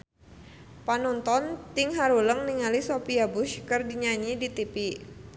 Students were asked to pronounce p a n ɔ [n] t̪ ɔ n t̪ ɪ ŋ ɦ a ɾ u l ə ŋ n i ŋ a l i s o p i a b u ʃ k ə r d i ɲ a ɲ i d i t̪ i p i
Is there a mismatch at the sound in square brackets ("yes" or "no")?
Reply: no